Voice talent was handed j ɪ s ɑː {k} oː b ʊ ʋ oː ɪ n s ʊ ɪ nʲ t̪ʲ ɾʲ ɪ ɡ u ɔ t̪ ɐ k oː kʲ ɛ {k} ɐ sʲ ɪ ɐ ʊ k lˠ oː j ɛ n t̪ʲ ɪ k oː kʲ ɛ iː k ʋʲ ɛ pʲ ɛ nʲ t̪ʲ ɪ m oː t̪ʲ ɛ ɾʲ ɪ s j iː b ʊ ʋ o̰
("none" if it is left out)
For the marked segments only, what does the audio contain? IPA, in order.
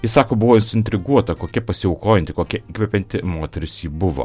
k, p

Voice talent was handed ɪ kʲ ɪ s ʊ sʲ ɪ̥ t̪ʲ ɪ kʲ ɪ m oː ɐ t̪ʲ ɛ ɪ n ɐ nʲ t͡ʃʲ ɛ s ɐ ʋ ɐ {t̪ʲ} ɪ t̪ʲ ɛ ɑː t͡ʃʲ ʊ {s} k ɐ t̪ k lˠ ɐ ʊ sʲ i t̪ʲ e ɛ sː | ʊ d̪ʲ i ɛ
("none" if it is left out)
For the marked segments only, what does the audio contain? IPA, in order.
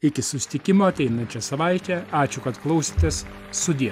none, none

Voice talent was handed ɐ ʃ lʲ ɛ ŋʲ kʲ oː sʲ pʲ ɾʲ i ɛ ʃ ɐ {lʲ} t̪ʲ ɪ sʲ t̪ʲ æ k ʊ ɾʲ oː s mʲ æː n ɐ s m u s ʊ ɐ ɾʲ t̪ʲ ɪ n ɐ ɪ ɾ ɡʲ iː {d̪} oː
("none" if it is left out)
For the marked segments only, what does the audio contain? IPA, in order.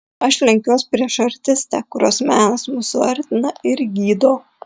ɾʲ, d̪

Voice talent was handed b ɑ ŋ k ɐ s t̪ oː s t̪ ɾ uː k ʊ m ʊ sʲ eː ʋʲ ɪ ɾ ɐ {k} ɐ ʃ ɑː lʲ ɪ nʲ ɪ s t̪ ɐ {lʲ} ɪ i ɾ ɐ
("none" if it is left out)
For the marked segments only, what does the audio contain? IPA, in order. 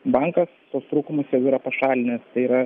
p, none

